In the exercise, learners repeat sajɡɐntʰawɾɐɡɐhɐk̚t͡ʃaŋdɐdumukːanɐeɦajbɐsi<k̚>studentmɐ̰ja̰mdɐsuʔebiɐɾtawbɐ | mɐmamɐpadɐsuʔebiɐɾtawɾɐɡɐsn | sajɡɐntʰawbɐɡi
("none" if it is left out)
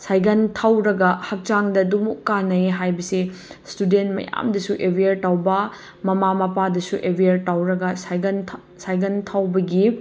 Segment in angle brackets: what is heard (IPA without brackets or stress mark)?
none